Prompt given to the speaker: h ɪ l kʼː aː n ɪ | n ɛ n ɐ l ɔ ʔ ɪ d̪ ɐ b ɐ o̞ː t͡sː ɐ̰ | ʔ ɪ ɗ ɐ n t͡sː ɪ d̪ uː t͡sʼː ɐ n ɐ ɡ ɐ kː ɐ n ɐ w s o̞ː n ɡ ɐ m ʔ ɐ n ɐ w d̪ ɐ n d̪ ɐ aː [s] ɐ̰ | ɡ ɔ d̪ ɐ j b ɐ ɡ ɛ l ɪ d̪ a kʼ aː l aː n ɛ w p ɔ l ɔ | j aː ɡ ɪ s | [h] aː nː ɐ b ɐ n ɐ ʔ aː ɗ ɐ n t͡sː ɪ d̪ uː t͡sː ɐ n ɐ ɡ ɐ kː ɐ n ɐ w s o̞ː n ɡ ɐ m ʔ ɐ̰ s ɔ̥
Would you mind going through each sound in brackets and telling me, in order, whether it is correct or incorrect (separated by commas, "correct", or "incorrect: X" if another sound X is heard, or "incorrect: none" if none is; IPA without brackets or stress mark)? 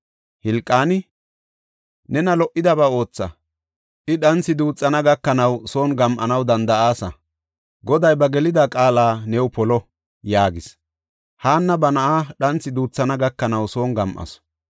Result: correct, correct